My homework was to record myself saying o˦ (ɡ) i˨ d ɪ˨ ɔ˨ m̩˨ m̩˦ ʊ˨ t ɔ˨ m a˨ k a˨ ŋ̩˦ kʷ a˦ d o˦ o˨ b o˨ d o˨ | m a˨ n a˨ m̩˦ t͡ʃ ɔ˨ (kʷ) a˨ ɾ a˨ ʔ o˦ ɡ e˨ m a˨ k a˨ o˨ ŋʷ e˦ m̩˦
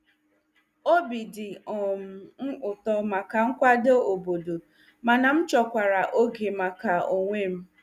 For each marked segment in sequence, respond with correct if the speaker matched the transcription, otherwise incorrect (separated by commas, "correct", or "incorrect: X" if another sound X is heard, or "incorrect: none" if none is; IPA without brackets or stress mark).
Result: incorrect: b, correct